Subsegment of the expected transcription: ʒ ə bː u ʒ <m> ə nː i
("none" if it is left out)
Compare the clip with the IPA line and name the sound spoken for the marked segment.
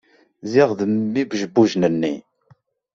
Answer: n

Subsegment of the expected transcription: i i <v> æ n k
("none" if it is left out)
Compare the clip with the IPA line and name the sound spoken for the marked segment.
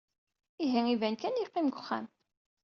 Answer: v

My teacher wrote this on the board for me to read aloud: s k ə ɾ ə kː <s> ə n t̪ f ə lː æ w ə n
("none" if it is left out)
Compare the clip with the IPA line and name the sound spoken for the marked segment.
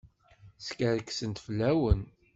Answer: s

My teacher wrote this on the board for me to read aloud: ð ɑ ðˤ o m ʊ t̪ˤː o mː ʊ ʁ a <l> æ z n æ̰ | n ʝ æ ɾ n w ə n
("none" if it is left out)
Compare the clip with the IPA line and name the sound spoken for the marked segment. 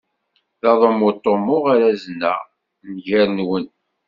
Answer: ɾ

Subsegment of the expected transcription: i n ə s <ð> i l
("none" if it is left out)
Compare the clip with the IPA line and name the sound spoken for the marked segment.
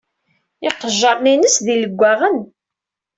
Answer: ð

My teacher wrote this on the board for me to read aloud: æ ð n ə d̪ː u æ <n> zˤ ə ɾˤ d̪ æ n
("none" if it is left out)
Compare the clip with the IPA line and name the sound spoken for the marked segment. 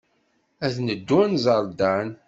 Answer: n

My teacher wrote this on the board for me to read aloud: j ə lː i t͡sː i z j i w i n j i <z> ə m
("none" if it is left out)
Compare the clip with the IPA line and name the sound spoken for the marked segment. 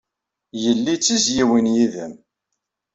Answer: ð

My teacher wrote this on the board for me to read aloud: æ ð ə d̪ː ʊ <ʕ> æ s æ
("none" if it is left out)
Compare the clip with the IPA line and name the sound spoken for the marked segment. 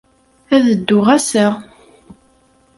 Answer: ʁ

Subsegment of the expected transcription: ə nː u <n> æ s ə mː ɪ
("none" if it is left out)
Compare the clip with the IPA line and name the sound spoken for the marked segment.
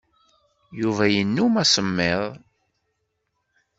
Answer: m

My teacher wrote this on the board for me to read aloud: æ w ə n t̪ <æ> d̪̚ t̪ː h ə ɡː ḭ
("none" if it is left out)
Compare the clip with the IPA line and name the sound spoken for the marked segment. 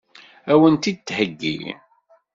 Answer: i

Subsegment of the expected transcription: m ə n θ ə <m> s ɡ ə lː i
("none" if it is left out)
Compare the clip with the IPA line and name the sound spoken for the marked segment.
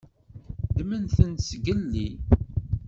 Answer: n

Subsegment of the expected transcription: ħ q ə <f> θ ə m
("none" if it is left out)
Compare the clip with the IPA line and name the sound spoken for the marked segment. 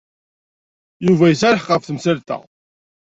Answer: f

